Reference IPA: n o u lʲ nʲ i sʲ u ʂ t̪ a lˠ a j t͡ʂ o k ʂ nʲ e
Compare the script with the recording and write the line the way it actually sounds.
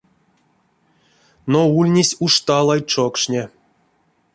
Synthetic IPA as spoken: n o u lʲ nʲ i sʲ u ʂ t̪ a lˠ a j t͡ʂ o k ʂ nʲ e